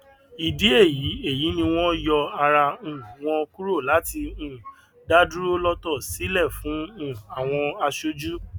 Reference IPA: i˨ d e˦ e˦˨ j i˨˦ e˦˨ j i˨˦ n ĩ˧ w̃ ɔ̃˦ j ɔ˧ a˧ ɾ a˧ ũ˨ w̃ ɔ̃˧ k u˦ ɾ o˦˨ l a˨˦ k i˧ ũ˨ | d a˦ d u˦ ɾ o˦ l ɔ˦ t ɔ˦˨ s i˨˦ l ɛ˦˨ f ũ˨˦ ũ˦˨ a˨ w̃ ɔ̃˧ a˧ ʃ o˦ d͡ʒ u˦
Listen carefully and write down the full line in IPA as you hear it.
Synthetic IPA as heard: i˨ d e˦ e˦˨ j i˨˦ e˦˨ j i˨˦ n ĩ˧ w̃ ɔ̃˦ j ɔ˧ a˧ ɾ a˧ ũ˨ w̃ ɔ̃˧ k u˦ ɾ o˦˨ l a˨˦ t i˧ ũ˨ | d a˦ d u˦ ɾ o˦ l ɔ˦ t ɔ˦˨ s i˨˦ l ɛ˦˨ f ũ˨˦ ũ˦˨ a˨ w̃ ɔ̃˧ a˧ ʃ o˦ d͡ʒ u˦

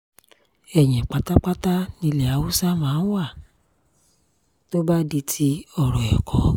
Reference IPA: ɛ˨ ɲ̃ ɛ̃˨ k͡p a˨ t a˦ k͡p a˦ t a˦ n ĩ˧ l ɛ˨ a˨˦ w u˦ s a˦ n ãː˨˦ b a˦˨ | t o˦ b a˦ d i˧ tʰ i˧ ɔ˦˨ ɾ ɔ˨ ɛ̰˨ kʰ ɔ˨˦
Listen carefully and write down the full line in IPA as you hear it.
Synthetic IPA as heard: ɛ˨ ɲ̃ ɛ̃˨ k͡p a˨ t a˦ k͡p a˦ t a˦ n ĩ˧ l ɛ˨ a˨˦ w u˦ s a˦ m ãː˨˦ w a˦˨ | t o˦ b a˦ d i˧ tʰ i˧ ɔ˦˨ ɾ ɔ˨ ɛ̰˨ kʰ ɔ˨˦

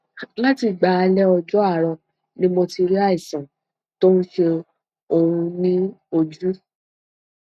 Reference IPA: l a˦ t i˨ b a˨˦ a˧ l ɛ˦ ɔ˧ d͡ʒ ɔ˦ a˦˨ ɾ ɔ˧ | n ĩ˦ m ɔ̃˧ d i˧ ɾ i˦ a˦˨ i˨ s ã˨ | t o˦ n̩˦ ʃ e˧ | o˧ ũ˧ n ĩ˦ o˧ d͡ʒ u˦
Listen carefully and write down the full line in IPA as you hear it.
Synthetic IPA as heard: l a˦ t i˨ ɡ͡b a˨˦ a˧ l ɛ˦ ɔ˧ d͡ʒ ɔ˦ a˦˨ ɾ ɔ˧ | n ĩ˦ m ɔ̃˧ t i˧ ɾ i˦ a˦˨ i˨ s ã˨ | t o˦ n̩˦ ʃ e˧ | o˧ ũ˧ n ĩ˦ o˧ d͡ʒ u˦

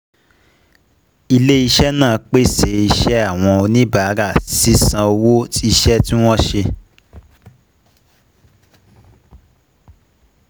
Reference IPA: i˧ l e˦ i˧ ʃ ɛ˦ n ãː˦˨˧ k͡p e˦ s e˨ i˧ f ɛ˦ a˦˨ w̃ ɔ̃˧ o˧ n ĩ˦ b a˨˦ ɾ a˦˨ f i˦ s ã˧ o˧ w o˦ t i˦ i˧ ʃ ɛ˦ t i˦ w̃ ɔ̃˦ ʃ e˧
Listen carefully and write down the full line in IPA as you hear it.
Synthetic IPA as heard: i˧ l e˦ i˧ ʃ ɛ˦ n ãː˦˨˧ k͡p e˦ s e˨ i˧ ʃ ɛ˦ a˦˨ w̃ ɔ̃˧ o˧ n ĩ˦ b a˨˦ ɾ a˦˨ s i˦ s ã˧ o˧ w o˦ t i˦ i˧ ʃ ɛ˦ t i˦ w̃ ɔ̃˦ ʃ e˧

